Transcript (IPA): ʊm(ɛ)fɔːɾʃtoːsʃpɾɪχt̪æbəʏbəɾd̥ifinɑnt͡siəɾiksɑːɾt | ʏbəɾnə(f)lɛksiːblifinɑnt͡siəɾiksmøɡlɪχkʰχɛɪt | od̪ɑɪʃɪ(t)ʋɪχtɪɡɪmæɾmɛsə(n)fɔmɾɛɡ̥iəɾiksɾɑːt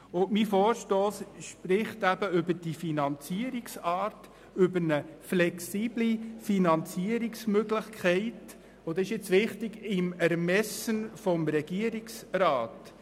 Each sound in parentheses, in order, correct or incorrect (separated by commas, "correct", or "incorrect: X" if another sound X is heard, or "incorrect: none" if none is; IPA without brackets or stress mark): incorrect: i, correct, incorrect: t͡s, correct